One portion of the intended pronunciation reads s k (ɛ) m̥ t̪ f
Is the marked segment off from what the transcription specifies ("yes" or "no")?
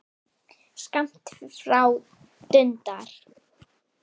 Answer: yes